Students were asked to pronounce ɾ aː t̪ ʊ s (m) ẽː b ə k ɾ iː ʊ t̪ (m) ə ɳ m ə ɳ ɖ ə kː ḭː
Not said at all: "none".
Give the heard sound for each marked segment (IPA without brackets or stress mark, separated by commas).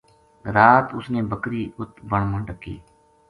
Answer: n, b